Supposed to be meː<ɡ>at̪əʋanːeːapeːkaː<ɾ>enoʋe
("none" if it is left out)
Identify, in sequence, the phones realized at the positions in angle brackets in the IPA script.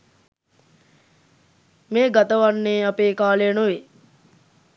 ɡ, l

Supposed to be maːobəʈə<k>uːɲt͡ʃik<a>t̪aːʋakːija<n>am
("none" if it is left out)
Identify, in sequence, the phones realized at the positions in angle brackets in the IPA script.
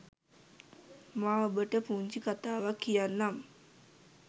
p, a, nː

